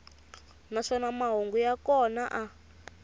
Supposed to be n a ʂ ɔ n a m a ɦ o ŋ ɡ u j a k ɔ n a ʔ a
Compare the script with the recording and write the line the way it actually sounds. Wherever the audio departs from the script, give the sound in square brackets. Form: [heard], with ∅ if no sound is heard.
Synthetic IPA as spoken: n a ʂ ɔ n a m a ɦ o ŋ ɡ u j a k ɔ n a ʔ a